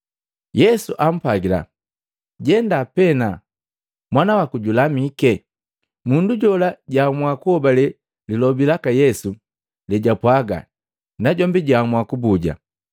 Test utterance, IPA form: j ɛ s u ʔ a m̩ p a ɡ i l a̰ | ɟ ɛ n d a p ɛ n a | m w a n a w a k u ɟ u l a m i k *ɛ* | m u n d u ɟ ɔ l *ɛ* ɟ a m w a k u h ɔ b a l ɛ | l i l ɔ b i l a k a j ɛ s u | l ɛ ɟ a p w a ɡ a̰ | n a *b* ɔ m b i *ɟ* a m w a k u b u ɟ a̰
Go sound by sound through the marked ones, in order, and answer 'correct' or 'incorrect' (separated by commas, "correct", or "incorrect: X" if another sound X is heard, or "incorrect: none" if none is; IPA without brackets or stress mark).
correct, incorrect: a, incorrect: ɟ, correct